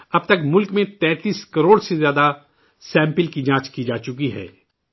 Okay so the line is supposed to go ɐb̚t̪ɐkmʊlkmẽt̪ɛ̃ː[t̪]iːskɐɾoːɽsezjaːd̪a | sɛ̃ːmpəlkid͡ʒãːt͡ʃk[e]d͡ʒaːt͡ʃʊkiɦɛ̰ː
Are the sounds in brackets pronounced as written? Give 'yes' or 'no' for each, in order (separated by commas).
yes, no